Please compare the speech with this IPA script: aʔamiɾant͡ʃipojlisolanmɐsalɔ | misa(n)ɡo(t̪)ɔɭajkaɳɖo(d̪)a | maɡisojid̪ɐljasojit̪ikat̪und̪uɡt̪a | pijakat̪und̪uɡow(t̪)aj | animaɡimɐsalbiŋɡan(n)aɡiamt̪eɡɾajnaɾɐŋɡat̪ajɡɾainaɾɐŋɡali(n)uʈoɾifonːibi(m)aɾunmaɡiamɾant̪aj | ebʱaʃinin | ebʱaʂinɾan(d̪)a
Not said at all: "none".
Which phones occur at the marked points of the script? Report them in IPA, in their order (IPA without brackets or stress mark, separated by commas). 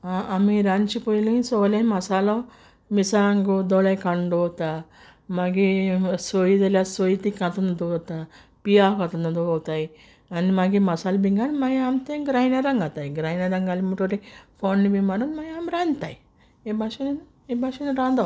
ŋ, d̪, t̪, t̪, m, m, m, d̪